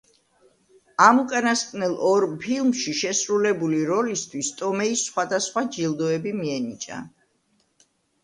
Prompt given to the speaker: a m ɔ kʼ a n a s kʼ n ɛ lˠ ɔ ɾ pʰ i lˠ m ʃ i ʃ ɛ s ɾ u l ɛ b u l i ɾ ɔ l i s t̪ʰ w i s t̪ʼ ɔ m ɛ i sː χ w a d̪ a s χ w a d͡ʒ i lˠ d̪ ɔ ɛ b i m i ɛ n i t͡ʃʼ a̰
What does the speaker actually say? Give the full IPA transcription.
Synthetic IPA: a m u kʼ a n a s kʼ n ɛ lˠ ɔ ɾ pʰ i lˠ m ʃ i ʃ ɛ s ɾ u l ɛ b u l i ɾ ɔ l i s t̪ʰ w i s t̪ʼ ɔ m ɛ i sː χ w a d̪ a s χ w a d͡ʒ i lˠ d̪ ɔ ɛ b i m i ɛ n i t͡ʃʼ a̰